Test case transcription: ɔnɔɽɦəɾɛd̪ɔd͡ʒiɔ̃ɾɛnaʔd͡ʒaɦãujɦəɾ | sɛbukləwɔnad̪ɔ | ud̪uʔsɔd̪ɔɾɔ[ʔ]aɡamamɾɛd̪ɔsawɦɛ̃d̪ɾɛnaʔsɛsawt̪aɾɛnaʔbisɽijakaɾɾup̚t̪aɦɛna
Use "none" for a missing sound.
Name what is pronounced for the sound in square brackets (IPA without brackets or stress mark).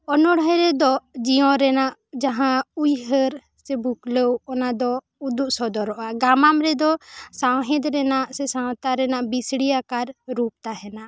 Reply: ʔ